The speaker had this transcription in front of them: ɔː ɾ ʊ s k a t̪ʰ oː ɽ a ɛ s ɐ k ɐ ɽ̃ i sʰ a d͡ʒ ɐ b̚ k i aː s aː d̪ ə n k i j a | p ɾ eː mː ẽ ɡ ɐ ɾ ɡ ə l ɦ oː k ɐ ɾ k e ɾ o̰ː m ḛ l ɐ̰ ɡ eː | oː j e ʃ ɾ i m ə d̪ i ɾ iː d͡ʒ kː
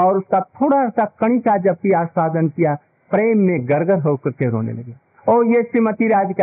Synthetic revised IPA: ɔː ɾ ʊ s k a t̪ʰ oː ɽ a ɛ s a k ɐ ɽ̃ i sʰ a d͡ʒ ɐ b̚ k i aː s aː d̪ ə n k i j a | p ɾ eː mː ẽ ɡ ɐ ɾ ɡ ə ɾ ɦ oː k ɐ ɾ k e ɾ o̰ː n ḛ l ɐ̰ ɡ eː | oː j e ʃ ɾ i m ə t̪ i ɾ aː d͡ʒ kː